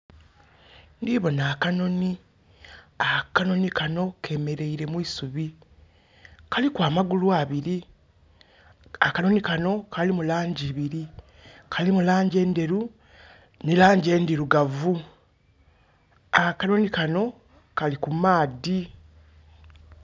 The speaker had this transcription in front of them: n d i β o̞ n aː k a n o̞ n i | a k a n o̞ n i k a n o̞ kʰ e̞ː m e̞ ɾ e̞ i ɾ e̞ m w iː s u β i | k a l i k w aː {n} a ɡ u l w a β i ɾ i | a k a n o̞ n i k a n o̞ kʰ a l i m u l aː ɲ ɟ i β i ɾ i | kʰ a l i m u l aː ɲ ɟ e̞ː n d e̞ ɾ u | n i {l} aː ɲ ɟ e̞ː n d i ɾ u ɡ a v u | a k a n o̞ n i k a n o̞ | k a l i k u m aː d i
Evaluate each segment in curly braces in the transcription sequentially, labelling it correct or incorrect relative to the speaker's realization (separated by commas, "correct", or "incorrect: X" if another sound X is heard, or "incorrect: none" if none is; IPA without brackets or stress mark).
incorrect: m, correct